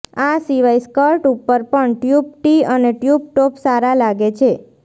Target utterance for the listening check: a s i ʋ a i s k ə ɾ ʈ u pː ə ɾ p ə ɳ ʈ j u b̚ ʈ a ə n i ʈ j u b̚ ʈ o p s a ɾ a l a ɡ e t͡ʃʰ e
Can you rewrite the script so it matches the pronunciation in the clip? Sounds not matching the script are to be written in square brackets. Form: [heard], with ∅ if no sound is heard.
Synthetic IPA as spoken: a s i ʋ a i s k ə ɾ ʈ u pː ə ɾ p ə ɳ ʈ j u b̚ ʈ [i] ə n [e] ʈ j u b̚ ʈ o p s a ɾ a l a ɡ e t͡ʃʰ e